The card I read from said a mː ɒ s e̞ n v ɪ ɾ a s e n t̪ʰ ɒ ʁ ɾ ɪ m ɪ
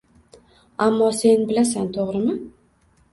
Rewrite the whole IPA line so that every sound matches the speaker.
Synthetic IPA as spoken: a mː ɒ s e̞ n b ɪ l a s a n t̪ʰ o ʁ ɾ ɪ m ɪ